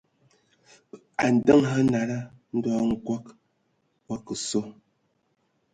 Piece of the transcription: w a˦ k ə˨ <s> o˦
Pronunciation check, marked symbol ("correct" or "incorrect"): correct